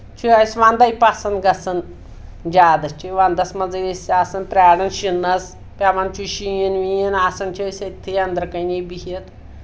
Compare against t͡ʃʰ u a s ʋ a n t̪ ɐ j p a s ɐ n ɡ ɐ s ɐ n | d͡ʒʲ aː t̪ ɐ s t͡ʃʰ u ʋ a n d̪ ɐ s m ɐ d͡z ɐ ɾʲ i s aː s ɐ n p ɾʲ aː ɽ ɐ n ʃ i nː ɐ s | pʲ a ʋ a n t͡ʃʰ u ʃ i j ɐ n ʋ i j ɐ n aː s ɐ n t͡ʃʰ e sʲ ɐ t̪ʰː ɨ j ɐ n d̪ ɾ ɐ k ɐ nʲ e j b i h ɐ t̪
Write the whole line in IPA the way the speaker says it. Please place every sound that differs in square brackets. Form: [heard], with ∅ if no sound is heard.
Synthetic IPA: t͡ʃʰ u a s ʋ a n [d̪] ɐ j p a s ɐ n ɡ ɐ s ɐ n | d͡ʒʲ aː [d̪] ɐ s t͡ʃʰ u ʋ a n d̪ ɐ s m ɐ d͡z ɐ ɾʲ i s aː s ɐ n p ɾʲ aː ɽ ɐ n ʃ i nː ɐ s | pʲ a ʋ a n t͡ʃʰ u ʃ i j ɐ n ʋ i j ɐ n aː s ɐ n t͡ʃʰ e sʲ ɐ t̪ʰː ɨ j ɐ n d̪ ɾ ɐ k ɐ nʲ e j b i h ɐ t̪

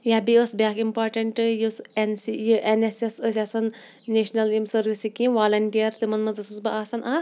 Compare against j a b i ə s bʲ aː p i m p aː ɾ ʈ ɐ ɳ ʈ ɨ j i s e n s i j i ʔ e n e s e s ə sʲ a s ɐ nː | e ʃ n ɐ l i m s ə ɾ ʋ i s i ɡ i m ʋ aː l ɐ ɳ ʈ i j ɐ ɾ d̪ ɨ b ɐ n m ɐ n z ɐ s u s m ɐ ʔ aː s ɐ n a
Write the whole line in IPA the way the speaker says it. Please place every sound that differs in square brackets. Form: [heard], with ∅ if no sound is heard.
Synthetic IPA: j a b i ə s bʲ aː [k] i m p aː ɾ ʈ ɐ ɳ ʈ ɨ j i s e n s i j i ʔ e n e s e s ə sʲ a s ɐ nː | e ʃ n ɐ l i m s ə ɾ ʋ i s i [k] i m ʋ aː l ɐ ɳ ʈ i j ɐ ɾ [t̪] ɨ [m] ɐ n m ɐ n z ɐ s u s [b] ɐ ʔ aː s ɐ n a

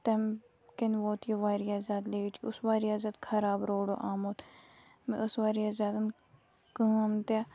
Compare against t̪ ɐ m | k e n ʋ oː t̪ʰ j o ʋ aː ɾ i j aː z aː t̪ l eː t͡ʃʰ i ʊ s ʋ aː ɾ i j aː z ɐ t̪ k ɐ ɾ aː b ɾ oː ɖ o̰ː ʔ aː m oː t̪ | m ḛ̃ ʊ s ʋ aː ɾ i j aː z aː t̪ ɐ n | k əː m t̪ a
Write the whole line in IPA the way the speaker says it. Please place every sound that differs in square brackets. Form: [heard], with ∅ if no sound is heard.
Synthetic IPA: t̪ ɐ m | k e n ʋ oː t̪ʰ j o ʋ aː ɾ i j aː z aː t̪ l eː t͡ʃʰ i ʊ s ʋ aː ɾ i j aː z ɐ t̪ [kʰ] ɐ ɾ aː b ɾ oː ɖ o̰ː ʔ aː m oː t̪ | m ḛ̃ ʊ s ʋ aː ɾ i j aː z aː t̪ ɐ n | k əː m t̪ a

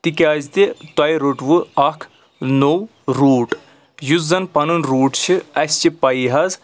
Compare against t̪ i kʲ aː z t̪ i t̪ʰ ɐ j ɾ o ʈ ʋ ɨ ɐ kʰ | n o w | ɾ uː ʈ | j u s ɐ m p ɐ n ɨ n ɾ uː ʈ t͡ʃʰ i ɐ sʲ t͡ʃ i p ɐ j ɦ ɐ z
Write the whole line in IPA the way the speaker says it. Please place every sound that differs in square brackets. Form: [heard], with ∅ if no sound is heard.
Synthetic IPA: t̪ i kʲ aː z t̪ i [t̪] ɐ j ɾ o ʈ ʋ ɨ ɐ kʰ | n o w | ɾ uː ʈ | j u [z] ɐ [n] p ɐ n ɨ n ɾ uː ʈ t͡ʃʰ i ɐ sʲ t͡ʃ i p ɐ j ɦ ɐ z

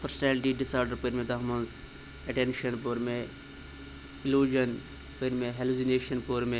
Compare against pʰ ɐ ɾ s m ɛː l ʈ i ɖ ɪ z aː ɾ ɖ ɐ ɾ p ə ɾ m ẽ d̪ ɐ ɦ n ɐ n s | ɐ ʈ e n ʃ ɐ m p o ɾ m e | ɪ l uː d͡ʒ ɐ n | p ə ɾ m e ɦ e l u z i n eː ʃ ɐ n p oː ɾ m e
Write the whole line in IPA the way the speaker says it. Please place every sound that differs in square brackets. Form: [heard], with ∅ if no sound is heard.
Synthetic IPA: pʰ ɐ ɾ s [n] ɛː l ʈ i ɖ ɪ [s] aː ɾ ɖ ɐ ɾ p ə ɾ m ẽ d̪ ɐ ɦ [m] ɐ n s | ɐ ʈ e n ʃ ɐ [n] p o ɾ m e | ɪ l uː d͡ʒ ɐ n | p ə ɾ m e ɦ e l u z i n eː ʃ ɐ n p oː ɾ m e

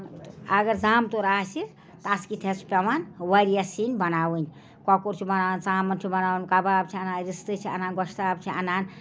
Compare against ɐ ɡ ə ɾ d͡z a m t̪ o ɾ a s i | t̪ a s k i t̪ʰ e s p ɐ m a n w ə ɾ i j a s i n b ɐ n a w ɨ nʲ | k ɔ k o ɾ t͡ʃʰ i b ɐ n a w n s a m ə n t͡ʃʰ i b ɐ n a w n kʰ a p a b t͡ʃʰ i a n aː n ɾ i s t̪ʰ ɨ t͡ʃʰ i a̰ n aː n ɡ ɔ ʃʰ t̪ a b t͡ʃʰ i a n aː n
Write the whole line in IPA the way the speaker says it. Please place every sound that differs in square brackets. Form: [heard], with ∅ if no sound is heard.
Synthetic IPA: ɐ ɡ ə ɾ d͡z a m t̪ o ɾ a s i | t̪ a s k i t̪ʰ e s p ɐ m a n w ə ɾ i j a s i n b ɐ n a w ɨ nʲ | k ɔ k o ɾ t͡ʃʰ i b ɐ n a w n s a m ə n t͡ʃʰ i b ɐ n a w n [k] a [b] a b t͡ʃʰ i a n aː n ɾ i s [t̪] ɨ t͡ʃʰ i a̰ n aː n ɡ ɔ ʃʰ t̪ a b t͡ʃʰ i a n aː n

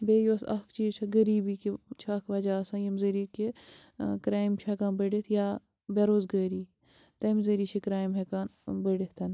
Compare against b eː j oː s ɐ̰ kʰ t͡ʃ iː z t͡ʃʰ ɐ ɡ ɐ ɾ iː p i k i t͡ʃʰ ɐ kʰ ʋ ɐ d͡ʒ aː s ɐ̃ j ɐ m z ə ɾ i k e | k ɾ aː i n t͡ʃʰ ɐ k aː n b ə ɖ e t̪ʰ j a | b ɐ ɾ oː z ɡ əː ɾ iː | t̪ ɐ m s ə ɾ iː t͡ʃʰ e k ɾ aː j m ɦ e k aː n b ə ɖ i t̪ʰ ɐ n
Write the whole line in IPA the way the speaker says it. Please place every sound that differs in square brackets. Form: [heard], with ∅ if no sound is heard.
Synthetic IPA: b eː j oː s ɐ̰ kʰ t͡ʃ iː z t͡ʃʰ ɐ ɡ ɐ ɾ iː [b] i k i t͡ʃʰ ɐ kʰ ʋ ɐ d͡ʒ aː s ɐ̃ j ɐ m z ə ɾ i k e | k ɾ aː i [m] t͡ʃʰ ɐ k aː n b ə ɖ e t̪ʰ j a | b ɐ ɾ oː z ɡ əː ɾ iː | t̪ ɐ m [z] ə ɾ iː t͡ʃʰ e k ɾ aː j m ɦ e k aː n b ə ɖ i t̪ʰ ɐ n

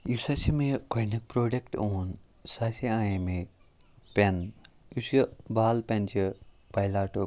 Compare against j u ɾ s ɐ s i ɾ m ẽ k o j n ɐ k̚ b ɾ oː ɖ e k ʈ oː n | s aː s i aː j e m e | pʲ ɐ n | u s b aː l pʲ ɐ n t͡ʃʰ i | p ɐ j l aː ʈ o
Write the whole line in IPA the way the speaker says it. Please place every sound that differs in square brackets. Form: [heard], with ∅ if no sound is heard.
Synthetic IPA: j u [∅] s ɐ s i [∅] m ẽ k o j n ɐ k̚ [p] ɾ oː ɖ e k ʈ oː n | s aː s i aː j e m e | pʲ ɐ n | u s b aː l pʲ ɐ n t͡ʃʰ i | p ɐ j l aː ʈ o

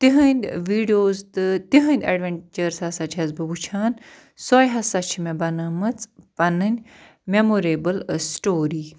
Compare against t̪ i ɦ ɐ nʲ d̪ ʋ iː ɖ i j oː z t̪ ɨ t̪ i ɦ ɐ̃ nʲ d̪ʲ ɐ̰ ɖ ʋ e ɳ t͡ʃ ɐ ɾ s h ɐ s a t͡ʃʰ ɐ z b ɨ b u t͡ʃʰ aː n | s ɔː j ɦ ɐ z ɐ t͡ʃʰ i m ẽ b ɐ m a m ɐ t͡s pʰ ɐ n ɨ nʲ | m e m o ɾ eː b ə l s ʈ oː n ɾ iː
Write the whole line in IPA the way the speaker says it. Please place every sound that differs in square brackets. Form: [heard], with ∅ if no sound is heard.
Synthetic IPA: t̪ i ɦ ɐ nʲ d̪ ʋ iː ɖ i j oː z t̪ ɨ t̪ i ɦ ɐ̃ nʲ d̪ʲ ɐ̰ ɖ ʋ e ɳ t͡ʃ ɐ ɾ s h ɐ s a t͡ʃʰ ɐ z b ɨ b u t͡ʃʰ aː n | s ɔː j ɦ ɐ [s] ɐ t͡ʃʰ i m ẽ b ɐ [n] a m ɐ t͡s [p] ɐ n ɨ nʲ | m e m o ɾ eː b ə l s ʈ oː [∅] ɾ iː

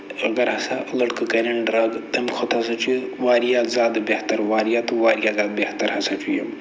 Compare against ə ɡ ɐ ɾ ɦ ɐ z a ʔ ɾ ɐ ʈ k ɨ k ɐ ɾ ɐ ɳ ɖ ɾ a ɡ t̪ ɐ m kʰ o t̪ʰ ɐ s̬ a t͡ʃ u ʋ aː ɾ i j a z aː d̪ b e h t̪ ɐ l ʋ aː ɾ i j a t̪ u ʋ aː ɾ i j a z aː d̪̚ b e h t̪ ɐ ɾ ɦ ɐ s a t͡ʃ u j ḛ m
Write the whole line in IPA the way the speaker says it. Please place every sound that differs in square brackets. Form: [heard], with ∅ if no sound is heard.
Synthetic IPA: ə ɡ ɐ ɾ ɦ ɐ [s] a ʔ [l] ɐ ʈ k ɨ k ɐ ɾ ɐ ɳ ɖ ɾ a ɡ t̪ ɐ m kʰ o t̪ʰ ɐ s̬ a t͡ʃ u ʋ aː ɾ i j a z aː d̪ b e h t̪ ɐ [ɾ] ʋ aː ɾ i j a t̪ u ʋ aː ɾ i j a z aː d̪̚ b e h t̪ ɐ ɾ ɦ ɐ s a t͡ʃ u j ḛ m

